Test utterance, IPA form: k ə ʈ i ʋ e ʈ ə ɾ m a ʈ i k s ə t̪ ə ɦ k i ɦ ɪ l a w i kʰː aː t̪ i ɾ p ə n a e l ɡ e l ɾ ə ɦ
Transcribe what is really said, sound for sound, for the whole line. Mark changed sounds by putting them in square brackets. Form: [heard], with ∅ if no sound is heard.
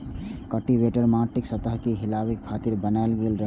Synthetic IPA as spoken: k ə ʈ i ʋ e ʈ ə ɾ m a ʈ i k s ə t̪ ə ɦ k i ɦ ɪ l a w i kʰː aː t̪ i ɾ [b] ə n a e l ɡ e l ɾ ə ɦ